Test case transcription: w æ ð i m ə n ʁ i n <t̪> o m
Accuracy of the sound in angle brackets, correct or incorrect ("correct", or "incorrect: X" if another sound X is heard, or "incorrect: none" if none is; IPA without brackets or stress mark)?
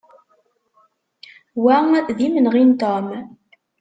correct